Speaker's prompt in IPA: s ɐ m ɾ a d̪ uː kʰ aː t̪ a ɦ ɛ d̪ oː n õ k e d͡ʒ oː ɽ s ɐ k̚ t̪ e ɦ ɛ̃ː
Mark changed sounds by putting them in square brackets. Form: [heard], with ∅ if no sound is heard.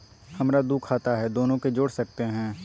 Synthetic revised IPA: [h] ɐ m ɾ a d̪ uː kʰ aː t̪ a ɦ ɛ d̪ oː n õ k e d͡ʒ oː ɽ s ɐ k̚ t̪ e ɦ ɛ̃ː